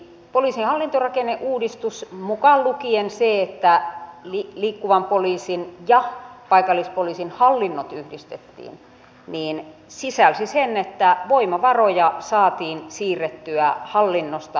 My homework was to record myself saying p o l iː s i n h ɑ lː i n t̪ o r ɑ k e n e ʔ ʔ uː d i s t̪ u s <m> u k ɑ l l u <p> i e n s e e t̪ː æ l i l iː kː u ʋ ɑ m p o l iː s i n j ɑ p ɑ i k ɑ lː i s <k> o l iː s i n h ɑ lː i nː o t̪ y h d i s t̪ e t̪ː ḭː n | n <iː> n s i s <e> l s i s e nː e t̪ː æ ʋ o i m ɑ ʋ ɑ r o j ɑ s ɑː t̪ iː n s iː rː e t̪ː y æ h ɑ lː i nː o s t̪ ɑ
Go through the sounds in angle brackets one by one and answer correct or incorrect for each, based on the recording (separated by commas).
correct, incorrect, incorrect, correct, incorrect